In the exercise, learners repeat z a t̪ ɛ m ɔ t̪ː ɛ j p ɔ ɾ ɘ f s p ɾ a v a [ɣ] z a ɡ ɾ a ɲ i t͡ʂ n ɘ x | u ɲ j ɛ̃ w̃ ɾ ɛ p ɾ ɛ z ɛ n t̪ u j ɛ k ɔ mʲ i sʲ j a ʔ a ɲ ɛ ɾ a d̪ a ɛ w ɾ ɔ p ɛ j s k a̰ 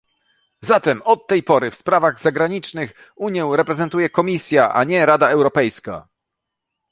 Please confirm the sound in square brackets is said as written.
yes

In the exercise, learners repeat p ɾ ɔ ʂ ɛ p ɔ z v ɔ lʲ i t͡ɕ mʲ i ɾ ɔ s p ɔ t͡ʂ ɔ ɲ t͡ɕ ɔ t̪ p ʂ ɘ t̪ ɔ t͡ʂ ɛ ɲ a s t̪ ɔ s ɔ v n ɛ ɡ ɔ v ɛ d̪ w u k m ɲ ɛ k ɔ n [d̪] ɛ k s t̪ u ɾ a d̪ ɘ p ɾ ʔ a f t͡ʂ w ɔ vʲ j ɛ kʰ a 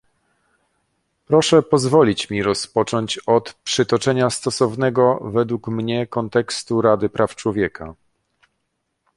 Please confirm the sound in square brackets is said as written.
no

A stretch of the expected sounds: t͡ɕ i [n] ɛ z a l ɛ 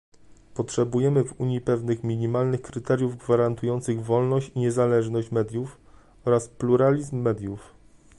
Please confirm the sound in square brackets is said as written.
no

